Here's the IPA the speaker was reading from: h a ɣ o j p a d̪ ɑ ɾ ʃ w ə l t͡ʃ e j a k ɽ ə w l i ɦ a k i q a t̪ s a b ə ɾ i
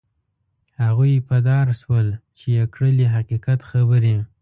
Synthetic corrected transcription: h a ɣ u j p a d̪ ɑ ɾ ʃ w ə l t͡ʃ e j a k ɽ ə l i ɦ a q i q a t̪ x a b ə ɾ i